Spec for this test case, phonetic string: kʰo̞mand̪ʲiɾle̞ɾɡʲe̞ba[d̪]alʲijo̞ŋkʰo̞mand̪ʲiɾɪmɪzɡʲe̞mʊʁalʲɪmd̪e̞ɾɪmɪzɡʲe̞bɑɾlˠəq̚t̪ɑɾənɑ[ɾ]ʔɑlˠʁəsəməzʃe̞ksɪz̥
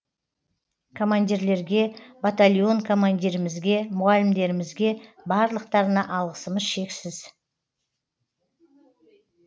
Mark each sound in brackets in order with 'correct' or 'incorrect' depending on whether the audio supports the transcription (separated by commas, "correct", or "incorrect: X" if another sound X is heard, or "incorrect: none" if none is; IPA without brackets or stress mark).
incorrect: t̪, incorrect: none